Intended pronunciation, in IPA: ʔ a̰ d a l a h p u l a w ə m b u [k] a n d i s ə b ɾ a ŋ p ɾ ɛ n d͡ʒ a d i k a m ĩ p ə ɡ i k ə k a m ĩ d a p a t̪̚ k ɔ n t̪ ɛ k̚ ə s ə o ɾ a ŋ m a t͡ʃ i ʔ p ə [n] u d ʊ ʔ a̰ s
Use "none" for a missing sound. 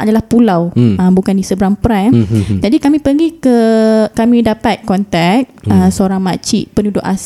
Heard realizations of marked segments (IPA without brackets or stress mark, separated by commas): k, n